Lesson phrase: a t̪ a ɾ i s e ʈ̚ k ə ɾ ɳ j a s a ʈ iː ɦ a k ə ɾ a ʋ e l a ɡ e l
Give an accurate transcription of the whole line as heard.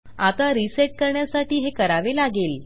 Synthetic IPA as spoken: a t̪ a ɾ i s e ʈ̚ k ə ɾ ɳ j a s a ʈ iː ɦ e k ə ɾ a ʋ e l a ɡ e l